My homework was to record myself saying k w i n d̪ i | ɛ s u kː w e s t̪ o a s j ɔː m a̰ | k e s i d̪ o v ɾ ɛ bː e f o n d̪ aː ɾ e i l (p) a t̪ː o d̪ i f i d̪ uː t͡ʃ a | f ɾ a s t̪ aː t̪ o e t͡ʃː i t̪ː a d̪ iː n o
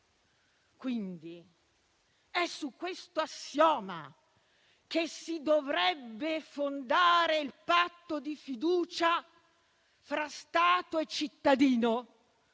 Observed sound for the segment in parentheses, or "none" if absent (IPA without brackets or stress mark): p